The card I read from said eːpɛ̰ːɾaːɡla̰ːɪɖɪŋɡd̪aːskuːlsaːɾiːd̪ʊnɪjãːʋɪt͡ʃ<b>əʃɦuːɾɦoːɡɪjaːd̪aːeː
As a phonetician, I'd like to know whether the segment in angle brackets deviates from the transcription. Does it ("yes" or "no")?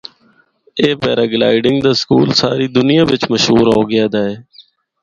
yes